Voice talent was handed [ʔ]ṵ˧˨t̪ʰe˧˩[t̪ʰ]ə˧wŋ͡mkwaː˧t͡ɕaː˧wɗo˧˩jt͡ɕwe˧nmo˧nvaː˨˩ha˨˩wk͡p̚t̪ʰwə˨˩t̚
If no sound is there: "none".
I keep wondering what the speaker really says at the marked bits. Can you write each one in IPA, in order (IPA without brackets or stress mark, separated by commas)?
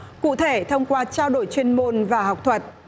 k, t̪ʰ